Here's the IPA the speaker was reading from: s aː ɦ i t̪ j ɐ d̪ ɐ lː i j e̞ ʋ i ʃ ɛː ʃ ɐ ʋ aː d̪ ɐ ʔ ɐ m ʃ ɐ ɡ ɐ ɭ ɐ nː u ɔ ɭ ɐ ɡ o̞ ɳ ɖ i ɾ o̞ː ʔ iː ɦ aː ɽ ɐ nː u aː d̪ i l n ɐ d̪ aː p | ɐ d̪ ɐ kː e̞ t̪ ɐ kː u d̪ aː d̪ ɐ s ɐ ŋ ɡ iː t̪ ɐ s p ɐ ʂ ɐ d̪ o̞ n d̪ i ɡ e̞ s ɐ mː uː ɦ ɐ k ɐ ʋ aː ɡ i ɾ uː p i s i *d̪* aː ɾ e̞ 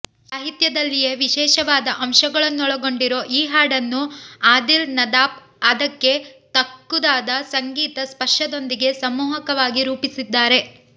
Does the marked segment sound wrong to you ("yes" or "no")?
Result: yes